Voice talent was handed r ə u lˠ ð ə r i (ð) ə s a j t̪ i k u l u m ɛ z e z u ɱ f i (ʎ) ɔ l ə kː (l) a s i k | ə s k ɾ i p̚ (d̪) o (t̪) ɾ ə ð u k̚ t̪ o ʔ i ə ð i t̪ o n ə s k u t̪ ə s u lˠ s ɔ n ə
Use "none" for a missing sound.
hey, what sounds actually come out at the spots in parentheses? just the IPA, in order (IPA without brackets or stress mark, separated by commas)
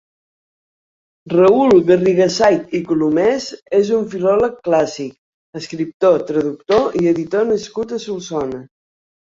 ɣ, l, l, t̪, t̪